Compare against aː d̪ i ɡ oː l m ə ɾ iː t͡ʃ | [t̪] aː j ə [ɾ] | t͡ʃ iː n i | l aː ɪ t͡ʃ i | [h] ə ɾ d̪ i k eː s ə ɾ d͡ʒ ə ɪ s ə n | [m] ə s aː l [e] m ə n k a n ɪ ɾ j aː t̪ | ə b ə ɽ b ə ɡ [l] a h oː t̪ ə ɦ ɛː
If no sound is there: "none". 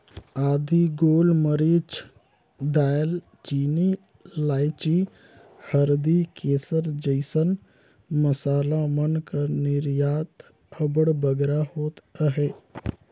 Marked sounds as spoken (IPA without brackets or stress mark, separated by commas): d̪, l, h, m, a, ɾ